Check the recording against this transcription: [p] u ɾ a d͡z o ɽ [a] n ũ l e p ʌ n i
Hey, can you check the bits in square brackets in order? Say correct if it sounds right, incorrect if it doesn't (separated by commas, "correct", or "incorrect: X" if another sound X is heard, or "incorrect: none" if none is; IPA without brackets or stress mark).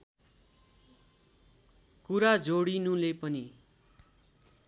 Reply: incorrect: k, incorrect: i